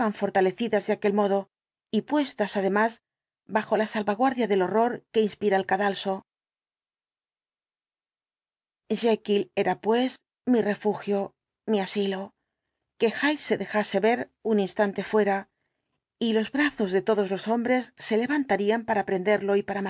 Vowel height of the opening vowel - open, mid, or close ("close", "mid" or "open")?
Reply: open